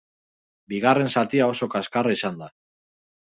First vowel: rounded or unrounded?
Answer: unrounded